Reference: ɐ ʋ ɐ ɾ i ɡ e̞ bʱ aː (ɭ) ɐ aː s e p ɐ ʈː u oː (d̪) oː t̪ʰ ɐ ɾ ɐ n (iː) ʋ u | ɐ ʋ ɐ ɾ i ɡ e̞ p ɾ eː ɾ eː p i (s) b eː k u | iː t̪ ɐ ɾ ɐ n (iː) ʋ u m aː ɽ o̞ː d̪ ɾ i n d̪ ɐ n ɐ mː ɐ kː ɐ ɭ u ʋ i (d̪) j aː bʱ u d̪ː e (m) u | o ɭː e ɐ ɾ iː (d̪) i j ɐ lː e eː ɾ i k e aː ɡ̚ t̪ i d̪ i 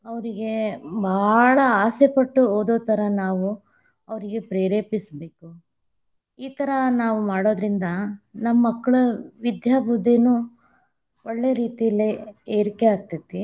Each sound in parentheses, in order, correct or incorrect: correct, correct, incorrect, correct, incorrect, correct, incorrect, incorrect

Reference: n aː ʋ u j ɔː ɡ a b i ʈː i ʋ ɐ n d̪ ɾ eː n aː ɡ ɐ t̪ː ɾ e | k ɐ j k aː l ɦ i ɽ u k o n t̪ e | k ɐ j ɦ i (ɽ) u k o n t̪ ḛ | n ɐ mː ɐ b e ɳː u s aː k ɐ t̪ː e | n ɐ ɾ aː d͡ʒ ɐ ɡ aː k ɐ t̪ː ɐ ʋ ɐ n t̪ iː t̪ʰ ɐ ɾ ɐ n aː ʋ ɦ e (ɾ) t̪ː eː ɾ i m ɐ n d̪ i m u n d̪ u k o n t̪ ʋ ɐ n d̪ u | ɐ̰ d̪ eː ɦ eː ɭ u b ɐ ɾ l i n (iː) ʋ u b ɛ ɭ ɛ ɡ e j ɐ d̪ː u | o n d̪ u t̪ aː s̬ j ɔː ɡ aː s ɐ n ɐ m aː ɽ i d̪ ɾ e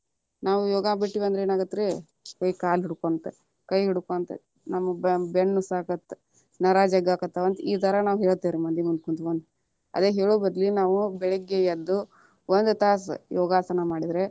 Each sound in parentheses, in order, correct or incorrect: correct, incorrect, incorrect

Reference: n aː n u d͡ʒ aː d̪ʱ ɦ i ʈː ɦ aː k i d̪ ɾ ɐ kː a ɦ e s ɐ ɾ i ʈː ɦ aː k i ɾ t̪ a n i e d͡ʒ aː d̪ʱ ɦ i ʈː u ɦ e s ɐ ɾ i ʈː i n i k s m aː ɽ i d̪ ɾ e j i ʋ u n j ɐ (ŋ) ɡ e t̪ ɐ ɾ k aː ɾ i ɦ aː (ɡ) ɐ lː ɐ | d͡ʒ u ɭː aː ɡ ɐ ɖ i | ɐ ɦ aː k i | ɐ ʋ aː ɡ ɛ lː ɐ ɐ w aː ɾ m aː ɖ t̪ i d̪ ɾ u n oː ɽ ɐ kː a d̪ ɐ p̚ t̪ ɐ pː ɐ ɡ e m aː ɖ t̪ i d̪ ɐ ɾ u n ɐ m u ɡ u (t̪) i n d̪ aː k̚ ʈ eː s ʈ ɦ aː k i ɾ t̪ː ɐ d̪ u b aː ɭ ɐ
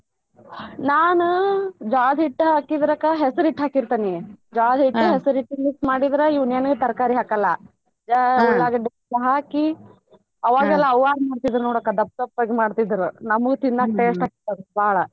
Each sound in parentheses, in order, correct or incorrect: incorrect, incorrect, correct

